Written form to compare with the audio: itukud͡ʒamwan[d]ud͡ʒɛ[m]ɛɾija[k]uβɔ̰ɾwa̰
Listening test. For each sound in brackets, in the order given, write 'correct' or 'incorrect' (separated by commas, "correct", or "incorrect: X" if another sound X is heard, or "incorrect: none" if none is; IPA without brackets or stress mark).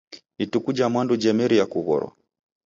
correct, correct, correct